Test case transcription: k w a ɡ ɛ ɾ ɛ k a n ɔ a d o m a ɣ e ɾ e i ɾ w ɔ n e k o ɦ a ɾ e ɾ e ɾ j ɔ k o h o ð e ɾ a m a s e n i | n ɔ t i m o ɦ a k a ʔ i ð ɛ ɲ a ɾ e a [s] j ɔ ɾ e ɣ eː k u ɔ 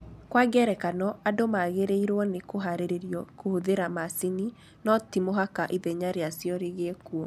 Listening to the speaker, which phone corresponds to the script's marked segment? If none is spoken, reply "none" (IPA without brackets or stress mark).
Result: s